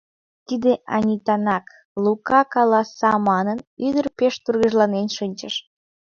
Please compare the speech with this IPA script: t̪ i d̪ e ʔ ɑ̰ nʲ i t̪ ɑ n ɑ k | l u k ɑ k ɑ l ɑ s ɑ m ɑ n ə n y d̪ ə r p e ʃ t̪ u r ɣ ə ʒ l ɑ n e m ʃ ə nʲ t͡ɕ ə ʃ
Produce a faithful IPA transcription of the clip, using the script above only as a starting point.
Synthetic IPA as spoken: t̪ i d̪ e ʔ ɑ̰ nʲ i t̪ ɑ n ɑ k | l u k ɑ k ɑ l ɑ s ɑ m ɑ n ə n y d̪ ə r p e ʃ t̪ u r ɣ ə ʒ l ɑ n e n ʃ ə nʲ t͡ɕ ə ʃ